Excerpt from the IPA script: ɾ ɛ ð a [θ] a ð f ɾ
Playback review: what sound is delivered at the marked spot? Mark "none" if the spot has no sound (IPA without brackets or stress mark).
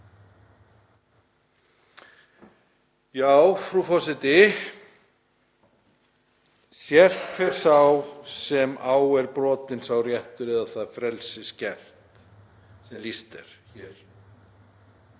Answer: θ